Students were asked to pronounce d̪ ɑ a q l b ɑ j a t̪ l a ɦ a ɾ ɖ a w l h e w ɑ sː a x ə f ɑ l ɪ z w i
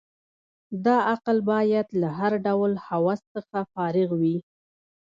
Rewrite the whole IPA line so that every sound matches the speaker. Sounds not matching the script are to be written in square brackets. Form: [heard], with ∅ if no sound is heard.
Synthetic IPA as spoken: d̪ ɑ a q l b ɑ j a [d̪] l a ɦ a ɾ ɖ a w l h [a] w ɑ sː [ə] x [a] f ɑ [ɾ] ɪ [ɣ] w i